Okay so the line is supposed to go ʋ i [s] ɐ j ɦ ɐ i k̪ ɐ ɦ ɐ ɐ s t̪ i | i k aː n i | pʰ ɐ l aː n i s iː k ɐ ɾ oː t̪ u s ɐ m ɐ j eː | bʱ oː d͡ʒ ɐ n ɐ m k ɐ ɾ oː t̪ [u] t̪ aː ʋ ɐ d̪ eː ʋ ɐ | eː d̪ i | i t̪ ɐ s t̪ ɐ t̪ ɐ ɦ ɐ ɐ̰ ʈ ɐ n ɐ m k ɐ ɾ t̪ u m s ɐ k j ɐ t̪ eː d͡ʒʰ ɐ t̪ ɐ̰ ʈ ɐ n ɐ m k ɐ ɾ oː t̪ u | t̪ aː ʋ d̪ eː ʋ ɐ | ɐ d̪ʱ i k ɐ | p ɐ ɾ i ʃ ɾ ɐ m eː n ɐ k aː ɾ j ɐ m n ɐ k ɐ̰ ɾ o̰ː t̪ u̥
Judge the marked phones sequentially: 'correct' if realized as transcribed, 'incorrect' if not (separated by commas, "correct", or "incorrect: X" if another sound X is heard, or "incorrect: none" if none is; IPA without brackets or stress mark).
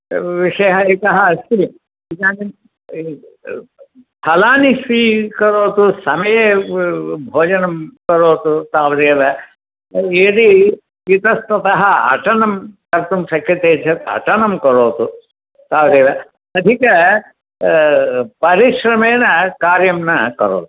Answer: incorrect: ʂ, correct